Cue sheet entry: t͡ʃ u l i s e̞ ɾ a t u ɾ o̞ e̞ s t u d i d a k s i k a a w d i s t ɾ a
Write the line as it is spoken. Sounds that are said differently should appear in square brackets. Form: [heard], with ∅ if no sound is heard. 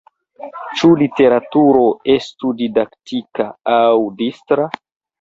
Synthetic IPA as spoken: t͡ʃ u l i [t] e̞ ɾ a t u ɾ o̞ e̞ s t u d i d a k [t] i k a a w d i s t ɾ a